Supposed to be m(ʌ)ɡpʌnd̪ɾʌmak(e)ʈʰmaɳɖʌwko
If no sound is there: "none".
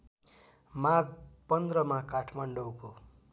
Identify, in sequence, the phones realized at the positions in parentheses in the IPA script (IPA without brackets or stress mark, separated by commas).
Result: a, a